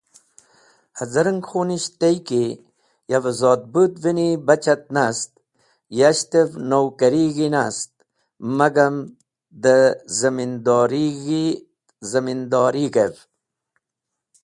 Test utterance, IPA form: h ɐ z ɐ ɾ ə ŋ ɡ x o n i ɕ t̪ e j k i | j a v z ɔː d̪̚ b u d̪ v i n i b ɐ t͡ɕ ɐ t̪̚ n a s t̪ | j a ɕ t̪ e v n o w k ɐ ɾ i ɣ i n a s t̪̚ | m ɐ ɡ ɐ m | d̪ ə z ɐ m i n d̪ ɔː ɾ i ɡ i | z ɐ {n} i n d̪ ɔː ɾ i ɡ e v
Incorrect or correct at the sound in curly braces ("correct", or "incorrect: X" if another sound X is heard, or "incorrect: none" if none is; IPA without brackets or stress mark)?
incorrect: m